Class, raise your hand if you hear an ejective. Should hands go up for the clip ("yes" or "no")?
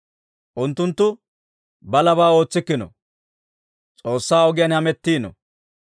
yes